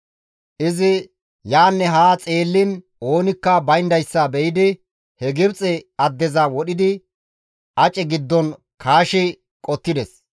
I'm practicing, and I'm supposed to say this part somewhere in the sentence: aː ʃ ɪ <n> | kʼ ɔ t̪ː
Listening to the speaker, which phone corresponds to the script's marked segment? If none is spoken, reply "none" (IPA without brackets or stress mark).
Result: none